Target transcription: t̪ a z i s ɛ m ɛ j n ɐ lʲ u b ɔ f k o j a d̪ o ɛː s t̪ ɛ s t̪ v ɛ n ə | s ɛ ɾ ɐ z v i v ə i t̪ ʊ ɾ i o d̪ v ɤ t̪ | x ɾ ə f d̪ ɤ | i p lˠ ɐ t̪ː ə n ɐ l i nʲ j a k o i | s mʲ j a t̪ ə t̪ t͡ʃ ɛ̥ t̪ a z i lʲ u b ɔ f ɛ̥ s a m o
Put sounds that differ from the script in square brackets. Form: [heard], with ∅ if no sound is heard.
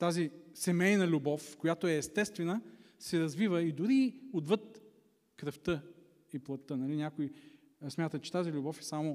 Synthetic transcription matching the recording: t̪ a z i s ɛ m ɛ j n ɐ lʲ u b ɔ f k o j a [t̪] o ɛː s t̪ ɛ s t̪ v ɛ n ə | s ɛ ɾ ɐ z v i v ə i [d̪] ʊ ɾ i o d̪ v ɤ t̪ | [k] ɾ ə f [t̪] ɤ | i p lˠ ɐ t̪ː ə n ɐ l i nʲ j a k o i | s mʲ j a t̪ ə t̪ t͡ʃ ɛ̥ t̪ a z i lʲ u b ɔ f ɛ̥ s a m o